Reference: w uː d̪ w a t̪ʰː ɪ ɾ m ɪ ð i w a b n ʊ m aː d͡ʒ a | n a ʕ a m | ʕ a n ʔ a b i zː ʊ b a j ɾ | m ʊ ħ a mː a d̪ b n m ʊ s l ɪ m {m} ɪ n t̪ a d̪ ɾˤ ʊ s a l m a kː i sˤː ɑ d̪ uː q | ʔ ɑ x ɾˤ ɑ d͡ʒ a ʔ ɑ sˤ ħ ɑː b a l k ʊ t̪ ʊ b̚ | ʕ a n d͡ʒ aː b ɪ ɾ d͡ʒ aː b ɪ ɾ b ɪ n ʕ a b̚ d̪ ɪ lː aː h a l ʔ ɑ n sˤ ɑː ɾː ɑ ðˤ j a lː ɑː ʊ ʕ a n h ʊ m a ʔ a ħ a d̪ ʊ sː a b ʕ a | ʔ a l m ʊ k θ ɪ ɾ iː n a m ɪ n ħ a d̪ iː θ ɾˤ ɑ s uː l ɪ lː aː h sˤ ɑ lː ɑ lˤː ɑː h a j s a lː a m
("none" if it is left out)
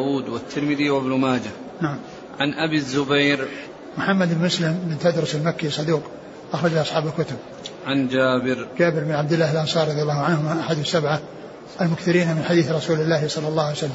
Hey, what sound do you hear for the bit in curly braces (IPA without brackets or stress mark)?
b